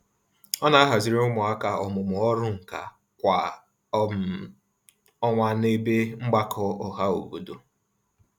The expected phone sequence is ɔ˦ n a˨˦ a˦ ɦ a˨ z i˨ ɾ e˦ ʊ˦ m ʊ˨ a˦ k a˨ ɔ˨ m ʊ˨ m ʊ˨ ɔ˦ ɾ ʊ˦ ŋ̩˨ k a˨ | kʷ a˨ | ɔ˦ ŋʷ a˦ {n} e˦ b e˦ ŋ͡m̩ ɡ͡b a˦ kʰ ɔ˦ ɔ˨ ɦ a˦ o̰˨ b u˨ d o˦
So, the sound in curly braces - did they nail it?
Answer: yes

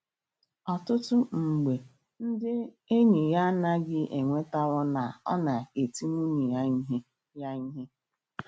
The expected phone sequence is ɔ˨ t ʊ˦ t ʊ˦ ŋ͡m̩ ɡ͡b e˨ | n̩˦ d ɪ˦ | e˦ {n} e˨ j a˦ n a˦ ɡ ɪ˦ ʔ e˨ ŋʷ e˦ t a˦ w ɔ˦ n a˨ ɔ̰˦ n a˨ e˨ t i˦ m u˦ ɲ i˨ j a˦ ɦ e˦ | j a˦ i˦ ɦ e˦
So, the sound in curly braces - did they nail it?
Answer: no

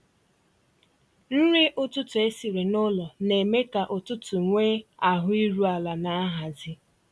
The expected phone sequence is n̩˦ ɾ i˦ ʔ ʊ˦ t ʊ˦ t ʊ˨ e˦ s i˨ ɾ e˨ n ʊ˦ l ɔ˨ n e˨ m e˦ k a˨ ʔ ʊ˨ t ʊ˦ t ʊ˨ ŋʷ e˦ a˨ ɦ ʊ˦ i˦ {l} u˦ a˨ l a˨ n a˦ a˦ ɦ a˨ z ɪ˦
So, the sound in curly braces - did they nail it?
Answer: no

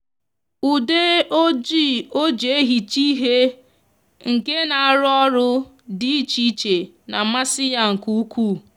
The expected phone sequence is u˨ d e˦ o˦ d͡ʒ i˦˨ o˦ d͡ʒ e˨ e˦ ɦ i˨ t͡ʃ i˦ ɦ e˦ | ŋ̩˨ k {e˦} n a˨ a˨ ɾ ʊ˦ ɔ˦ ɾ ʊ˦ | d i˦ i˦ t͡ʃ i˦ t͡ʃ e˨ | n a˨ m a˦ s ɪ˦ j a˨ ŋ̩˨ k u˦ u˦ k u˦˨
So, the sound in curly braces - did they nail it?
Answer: yes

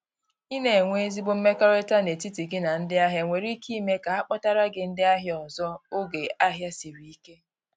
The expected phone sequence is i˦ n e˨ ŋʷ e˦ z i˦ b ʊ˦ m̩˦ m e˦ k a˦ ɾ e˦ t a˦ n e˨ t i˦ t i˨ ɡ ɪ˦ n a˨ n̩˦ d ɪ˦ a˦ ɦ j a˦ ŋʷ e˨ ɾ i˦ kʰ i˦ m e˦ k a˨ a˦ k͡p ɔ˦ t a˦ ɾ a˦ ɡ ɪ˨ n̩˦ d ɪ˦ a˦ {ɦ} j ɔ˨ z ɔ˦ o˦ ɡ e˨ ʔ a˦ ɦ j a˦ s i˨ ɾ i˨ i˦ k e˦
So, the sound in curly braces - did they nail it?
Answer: yes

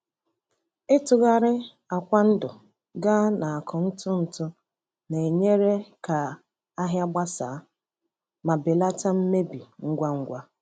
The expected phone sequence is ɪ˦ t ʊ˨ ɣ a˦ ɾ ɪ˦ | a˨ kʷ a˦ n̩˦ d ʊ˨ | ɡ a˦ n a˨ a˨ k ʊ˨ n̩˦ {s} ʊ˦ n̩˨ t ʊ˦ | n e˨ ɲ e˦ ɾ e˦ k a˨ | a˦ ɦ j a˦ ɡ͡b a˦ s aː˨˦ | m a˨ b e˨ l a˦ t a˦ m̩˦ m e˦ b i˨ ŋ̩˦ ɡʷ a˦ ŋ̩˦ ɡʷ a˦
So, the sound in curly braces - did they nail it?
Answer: no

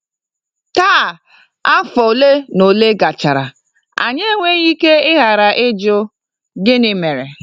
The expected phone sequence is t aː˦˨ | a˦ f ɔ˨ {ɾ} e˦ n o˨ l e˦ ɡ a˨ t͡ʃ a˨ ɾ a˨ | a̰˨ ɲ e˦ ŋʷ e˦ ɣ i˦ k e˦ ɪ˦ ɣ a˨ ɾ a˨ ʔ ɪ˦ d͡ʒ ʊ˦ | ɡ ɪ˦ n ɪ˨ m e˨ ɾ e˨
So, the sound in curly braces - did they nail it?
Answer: no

